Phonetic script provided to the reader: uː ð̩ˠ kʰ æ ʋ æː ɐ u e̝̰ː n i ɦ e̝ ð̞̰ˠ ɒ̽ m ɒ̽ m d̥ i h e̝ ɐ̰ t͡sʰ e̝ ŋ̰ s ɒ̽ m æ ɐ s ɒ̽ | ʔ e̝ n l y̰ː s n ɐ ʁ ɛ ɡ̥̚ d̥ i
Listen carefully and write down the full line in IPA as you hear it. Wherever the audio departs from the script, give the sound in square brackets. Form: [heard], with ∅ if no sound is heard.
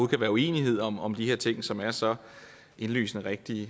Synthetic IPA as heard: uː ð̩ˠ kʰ æ ʋ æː ɐ u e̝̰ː n i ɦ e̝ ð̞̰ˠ ɒ̽ m ɒ̽ m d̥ i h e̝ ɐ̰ t͡sʰ e̝ ŋ̰ s ɒ̽ m æ ɐ s ɒ̽ | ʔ e̝ n l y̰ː s n [ə] ʁ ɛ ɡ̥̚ d̥ i

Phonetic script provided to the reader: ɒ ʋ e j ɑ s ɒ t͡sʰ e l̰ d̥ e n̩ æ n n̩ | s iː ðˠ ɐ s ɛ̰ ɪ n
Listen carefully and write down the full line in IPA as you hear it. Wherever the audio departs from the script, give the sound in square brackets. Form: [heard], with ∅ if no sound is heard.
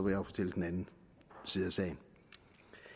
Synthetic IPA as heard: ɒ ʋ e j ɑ [f] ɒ t͡sʰ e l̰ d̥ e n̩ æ n n̩ | s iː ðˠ ɐ s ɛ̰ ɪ n

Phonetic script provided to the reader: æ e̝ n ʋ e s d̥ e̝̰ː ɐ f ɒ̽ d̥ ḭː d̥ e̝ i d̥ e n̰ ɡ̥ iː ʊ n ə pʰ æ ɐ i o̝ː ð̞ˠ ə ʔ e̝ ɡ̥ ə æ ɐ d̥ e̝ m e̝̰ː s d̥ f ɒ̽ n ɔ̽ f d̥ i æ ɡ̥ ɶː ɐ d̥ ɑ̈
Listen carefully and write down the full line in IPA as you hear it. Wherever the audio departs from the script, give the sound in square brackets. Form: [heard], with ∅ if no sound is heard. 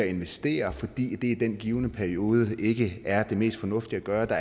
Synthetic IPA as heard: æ e̝ n ʋ e s d̥ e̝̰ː ɐ f ɒ̽ d̥ ḭː d̥ e̝ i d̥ e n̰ ɡ̥ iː ʊ n ə pʰ æ ɐ i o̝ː ð̞ˠ ə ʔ e̝ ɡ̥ ə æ ɐ d̥ e̝ m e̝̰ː s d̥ f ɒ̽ n ɔ̽ f d̥ i æ ɡ̥ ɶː ɐ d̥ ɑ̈

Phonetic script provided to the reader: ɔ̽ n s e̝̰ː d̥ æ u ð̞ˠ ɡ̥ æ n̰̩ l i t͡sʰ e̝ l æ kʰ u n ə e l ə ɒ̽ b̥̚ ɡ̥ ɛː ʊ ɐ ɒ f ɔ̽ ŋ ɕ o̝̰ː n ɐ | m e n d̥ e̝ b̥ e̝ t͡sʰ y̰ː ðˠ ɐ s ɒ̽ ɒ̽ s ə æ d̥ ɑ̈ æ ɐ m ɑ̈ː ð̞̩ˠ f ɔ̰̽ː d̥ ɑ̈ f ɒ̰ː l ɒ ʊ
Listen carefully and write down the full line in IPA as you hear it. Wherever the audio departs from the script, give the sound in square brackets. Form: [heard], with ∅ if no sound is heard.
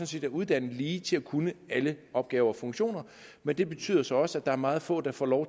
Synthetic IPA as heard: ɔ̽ n s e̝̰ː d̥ æ u ð̞ˠ [d̥] æ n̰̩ l [iː] t͡sʰ e̝ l æ kʰ u n ə [æ] l ə ɒ̽ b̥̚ ɡ̥ ɛː ʊ ɐ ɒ f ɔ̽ ŋ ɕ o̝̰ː n ɐ | m e n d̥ e̝ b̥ e̝ t͡sʰ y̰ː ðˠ ɐ s ɒ̽ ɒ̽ s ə æ d̥ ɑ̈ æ ɐ m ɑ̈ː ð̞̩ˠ f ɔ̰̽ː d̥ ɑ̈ f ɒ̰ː l ɒ ʊ

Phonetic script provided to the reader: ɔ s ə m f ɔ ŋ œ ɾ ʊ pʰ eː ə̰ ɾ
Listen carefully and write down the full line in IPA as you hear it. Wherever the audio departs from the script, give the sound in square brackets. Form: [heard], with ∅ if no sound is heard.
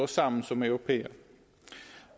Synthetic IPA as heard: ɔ s [a] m [s] ɔ [m] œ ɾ ʊ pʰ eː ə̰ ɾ

